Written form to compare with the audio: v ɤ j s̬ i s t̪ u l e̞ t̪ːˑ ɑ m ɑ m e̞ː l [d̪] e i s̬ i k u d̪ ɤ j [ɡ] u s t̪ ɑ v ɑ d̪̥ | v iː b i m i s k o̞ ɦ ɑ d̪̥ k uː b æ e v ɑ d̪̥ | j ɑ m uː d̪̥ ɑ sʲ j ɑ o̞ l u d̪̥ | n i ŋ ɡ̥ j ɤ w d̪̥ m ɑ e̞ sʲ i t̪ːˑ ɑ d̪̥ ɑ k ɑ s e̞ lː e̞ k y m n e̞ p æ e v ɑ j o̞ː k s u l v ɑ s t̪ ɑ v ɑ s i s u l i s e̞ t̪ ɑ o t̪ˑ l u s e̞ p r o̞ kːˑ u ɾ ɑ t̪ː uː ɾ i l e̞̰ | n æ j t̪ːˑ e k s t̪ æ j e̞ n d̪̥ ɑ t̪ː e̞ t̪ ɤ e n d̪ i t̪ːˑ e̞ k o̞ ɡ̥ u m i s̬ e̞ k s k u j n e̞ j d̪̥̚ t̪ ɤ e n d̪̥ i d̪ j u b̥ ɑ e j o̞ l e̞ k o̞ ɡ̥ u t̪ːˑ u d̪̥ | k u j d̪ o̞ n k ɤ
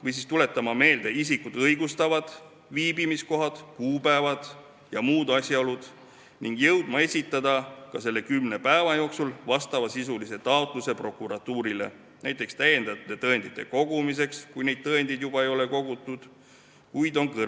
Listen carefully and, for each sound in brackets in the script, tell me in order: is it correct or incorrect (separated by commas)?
correct, correct